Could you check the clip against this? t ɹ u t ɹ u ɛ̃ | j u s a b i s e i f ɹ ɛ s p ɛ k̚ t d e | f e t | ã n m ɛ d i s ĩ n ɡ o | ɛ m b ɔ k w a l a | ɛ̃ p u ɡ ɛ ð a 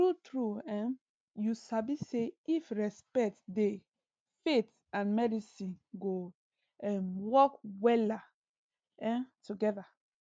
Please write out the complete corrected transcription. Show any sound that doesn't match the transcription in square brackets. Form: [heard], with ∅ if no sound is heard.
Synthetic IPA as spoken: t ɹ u t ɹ u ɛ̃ | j u s a b i s e i f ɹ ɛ s p ɛ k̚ t d e | f e t | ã n m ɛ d i s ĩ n ɡ o | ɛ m [w] ɔ k w [ɛ] l a | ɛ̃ [t] u ɡ ɛ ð a